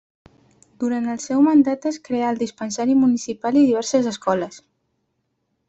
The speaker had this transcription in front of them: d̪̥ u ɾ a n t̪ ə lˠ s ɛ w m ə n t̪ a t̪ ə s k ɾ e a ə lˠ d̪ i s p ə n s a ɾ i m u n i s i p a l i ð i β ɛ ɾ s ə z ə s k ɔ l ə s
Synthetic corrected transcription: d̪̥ u ɾ a n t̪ ə lˠ s ɛ w m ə n d̪ a t̪ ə s k ɾ e a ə lˠ d̪ i s p ə n s a ɾ i m u n i s i p a l i ð i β ɛ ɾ s ə z ə s k ɔ l ə s